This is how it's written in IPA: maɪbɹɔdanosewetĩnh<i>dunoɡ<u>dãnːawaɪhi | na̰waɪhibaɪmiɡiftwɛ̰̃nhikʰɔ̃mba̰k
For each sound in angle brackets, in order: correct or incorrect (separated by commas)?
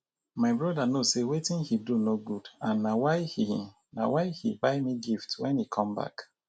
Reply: correct, correct